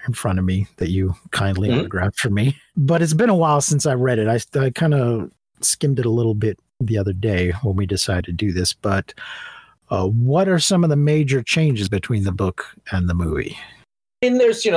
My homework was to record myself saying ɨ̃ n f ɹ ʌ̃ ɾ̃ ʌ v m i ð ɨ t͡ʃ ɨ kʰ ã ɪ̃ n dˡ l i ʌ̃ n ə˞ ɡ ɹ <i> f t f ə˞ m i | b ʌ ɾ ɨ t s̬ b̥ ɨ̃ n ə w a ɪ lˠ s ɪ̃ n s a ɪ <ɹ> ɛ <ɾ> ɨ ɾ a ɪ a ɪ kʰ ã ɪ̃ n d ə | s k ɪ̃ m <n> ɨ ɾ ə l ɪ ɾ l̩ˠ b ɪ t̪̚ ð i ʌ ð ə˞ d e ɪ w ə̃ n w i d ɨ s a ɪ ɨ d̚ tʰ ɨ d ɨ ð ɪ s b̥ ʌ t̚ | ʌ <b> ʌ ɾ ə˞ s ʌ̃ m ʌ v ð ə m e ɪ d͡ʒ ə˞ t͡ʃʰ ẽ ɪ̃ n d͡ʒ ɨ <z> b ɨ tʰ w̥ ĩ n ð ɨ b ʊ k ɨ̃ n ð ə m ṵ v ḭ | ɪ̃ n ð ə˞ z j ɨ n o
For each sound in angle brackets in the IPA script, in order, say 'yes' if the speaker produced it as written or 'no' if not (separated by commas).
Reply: no, yes, yes, no, no, yes